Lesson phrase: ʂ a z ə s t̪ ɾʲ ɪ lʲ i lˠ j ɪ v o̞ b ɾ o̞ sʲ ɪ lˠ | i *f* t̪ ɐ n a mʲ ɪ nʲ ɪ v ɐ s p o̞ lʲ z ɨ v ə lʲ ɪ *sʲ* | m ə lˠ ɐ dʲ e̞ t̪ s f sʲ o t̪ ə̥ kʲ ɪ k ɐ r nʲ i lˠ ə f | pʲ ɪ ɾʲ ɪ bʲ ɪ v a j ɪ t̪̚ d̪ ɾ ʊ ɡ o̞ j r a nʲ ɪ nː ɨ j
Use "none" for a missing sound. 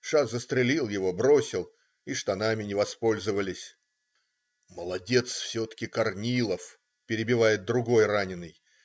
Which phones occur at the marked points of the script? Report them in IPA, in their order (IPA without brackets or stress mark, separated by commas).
ʂ, sʲ